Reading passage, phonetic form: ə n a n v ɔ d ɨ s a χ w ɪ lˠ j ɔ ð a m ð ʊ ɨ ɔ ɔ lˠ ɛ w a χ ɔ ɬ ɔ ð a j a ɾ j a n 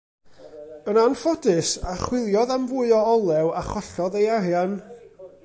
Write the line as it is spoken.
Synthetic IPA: ə n a n f ɔ d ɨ s a χ w ɪ lˠ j ɔ ð a m v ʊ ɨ ɔ ɔ lˠ ɛ w a χ ɔ ɬ ɔ ð e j a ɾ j a n